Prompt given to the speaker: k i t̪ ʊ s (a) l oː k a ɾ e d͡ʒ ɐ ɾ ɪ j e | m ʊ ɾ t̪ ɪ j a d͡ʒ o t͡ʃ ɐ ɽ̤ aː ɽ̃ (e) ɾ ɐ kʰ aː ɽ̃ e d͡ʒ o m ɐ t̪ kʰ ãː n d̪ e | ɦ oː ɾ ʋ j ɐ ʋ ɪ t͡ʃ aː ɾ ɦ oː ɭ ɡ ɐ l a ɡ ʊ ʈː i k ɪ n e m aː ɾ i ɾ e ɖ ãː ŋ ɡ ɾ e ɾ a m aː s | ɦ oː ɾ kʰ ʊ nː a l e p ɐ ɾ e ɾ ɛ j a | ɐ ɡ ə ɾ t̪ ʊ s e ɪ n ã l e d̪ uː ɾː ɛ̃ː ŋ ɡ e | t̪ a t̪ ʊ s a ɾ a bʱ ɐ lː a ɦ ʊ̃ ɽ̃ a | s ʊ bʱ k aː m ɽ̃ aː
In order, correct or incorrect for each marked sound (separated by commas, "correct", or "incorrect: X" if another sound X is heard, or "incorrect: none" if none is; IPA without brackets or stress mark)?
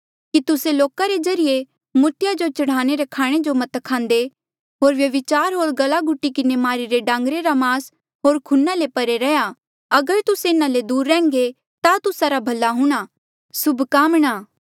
incorrect: e, correct